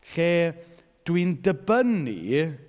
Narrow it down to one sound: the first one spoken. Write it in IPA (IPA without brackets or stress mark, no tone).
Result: ɬ